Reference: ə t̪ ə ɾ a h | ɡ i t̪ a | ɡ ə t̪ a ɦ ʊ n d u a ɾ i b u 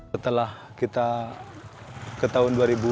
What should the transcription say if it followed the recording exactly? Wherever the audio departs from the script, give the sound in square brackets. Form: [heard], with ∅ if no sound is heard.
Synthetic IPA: ə t̪ ə [l] a h | [k] i t̪ a | [k] ə t̪ a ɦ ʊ n d u a ɾ i b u